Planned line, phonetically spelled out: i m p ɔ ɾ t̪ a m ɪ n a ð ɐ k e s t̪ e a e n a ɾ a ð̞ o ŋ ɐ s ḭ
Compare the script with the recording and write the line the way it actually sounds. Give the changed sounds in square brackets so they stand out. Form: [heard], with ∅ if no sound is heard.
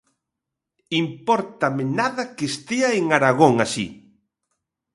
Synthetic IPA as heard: i m p ɔ ɾ t̪ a m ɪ n a ð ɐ k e s t̪ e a e [ŋ] a ɾ a [ɣ̞] o ŋ [a] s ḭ